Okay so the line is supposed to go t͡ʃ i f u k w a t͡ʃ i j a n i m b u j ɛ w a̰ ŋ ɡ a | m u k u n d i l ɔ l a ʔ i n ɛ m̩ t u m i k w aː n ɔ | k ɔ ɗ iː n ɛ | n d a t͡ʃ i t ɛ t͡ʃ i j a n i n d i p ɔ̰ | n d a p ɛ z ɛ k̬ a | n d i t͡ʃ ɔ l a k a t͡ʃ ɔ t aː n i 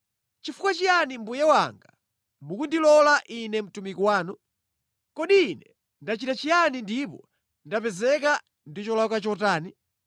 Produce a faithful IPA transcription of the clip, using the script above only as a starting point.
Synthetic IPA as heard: t͡ʃ i f u k w a t͡ʃ i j a n i m b u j ɛ w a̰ ŋ ɡ a | m u k u n d i l ɔ l a ʔ i n ɛ m̩ t u m i k w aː n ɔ | k ɔ ɗ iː n ɛ | n d a t͡ʃ i t a t͡ʃ i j a n i n d i p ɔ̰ | n d a p ɛ z ɛ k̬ a | n d i t͡ʃ ɔ l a k a t͡ʃ ɔ t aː n i